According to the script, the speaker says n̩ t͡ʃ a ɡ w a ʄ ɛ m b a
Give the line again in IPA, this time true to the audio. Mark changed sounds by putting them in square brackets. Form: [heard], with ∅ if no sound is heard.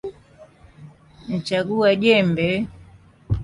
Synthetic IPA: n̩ t͡ʃ a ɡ [u] a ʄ ɛ m b [ɛ]